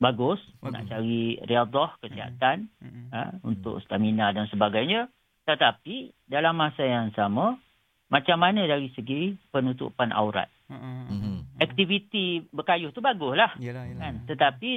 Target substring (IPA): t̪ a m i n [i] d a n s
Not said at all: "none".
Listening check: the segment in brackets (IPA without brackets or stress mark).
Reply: a